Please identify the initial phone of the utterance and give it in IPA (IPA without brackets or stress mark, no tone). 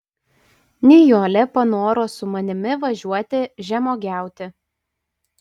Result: nʲ